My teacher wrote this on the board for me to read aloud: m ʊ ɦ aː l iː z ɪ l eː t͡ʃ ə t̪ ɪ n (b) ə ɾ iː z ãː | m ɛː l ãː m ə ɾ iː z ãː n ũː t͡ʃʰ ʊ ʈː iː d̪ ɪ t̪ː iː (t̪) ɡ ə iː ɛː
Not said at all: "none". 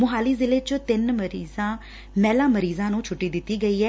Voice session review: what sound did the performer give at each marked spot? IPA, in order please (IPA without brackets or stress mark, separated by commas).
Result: m, none